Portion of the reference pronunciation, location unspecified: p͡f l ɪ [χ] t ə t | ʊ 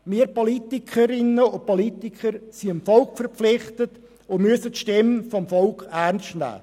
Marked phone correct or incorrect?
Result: correct